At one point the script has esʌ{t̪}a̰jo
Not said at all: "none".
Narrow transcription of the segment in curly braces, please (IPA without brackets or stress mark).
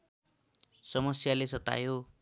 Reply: t̪